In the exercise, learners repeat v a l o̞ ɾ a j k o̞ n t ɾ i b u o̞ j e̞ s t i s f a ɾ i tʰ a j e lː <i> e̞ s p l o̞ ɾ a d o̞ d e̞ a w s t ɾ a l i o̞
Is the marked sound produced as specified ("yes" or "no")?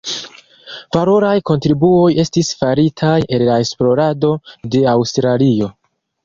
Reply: no